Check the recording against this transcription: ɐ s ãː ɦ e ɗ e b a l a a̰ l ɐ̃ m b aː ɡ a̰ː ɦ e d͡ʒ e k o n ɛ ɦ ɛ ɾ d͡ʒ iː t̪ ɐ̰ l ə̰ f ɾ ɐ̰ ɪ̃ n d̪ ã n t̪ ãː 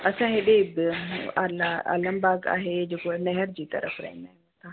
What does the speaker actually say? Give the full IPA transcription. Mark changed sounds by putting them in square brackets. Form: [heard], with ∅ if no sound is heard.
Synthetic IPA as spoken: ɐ s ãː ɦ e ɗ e b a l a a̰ l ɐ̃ m b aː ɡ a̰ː ɦ e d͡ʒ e k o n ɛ ɦ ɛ ɾ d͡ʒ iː t̪ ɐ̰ [ɾ] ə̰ f ɾ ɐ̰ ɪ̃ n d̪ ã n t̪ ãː

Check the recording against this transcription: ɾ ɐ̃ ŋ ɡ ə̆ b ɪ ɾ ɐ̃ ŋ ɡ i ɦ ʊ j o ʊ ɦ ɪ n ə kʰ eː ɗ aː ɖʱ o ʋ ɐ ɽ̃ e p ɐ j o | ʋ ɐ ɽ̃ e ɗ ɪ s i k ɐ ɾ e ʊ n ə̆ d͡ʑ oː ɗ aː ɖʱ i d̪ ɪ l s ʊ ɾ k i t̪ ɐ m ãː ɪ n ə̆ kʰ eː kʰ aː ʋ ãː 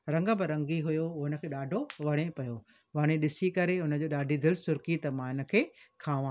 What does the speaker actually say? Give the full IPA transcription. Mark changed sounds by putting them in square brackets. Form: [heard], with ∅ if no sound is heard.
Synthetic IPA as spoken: ɾ ɐ̃ ŋ ɡ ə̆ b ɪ ɾ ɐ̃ ŋ ɡ i ɦ ʊ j o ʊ ɦ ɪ n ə kʰ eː ɗ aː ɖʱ o ʋ ɐ ɽ̃ e p ɐ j o | ʋ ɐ ɽ̃ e ɗ ɪ s i k ɐ ɾ e ʊ n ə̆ d͡ʑ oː ɗ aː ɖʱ i d̪ ɪ l s ʊ ɾ k i t̪ ɐ m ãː ɪ n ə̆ kʰ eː kʰ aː ʋ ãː

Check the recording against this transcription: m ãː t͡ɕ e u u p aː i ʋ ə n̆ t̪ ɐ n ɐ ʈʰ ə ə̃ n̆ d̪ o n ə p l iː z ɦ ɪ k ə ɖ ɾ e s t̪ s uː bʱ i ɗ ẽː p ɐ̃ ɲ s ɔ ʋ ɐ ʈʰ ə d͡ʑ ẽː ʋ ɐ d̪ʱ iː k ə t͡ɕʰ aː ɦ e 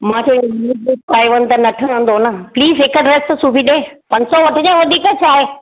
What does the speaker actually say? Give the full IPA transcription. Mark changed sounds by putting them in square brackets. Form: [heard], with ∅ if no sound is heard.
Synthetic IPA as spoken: m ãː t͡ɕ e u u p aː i ʋ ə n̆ t̪ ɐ n ɐ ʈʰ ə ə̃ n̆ d̪ o n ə p l iː z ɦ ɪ k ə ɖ ɾ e s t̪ s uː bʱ i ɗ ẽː p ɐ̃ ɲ s ɔ ʋ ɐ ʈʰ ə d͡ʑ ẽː ʋ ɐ d̪ʱ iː k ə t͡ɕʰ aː ɦ e

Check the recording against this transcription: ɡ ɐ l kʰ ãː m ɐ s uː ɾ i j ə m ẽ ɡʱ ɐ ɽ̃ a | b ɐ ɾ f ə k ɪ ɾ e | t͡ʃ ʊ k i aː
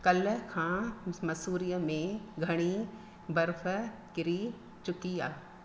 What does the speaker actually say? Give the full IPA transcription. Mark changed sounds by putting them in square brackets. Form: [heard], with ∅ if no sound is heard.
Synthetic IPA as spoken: [k] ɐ l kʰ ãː m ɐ s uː ɾ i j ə m ẽ ɡʱ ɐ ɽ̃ [i] | b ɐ ɾ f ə k ɪ ɾ [i] | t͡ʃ ʊ k i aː

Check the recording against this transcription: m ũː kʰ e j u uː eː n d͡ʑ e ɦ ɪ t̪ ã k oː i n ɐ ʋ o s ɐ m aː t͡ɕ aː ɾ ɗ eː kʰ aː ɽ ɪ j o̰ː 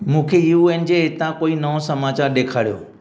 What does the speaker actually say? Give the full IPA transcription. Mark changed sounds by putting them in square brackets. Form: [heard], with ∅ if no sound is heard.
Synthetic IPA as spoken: m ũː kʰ e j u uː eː n d͡ʑ e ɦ ɪ t̪ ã k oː i n ɐ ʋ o s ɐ m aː t͡ɕ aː ɾ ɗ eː kʰ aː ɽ [i] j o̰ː

